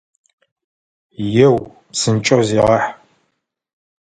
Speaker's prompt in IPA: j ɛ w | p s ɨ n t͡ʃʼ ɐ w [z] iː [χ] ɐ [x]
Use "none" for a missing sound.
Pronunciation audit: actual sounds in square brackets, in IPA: z, ʁ, ħ

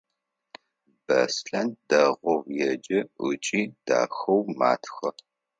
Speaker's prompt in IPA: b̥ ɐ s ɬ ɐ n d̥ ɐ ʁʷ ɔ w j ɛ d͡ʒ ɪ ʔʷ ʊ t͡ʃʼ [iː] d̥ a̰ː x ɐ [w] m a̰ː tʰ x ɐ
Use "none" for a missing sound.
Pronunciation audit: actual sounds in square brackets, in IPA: iː, w

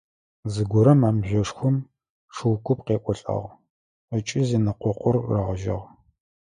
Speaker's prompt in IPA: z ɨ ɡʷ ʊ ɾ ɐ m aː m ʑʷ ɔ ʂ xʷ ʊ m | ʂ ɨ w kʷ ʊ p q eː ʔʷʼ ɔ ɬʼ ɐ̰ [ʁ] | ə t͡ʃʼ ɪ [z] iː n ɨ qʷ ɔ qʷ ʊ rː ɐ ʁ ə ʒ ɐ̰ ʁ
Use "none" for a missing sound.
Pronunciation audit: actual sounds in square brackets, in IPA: ʁ, z

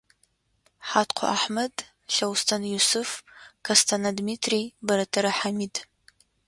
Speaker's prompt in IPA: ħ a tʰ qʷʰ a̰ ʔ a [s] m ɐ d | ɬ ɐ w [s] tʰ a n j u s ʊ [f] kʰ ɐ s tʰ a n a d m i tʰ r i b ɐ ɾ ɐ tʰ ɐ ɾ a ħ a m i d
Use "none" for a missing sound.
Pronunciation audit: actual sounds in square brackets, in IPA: ħ, s, f

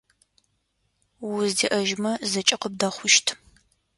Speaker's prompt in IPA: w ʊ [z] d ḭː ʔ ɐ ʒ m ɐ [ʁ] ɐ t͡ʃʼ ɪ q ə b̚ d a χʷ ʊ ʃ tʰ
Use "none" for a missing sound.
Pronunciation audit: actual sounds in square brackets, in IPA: z, z

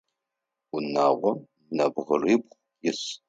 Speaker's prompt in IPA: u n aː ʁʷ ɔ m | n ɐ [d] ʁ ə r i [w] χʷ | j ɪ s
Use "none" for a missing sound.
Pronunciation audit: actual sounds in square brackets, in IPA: b, b

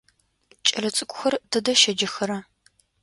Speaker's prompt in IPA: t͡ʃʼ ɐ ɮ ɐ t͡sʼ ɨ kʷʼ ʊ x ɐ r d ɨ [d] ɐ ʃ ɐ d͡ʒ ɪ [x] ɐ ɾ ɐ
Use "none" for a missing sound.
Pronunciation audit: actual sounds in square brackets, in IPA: d, x

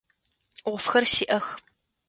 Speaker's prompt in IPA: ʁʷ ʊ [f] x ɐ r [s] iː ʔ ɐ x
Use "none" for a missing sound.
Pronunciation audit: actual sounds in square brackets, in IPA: f, s

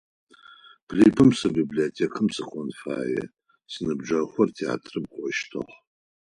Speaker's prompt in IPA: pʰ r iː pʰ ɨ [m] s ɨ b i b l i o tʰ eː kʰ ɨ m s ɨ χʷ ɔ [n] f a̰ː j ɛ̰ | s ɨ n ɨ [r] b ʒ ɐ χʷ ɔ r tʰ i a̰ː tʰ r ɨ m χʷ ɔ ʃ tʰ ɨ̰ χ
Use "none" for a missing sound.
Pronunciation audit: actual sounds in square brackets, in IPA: m, n, none

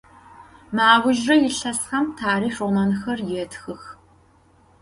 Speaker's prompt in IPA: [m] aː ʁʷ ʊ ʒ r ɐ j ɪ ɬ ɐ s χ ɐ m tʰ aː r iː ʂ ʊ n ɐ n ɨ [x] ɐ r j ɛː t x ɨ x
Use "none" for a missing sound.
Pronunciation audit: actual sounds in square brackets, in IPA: m, x

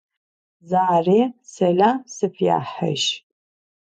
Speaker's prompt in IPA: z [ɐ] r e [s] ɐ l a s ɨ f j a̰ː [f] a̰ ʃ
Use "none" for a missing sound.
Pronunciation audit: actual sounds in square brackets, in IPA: a, s, ħ

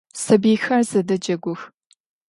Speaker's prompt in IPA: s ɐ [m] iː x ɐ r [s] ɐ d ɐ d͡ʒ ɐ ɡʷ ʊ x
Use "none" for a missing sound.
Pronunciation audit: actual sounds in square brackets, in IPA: b, z

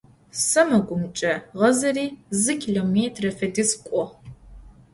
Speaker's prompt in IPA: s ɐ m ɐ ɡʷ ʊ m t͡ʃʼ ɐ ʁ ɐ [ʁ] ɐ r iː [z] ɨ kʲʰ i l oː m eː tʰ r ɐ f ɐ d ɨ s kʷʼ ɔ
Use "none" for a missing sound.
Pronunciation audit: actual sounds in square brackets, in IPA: z, z

